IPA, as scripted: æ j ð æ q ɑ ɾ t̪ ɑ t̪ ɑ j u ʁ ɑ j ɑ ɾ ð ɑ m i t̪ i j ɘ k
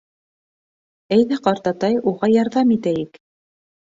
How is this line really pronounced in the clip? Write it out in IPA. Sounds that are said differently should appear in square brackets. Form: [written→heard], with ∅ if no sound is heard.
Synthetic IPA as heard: æ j ð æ q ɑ ɾ t̪ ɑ t̪ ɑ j u ʁ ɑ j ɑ ɾ ð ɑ m i t̪ [i→æ] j ɘ k